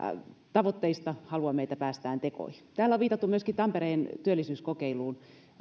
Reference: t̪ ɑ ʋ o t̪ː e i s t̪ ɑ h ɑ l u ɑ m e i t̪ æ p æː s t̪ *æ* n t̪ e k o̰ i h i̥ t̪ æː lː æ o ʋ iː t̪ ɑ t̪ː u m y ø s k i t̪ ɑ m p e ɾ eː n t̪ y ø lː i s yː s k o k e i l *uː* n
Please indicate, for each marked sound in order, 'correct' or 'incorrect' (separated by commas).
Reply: incorrect, correct